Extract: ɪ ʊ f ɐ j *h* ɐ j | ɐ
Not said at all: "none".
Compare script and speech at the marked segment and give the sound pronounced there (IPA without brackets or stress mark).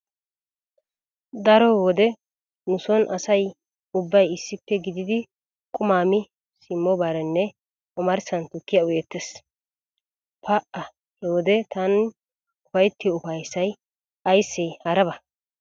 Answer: s